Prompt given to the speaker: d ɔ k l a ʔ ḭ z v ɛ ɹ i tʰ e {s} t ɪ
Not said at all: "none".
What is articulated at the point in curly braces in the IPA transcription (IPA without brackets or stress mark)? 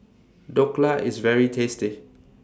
s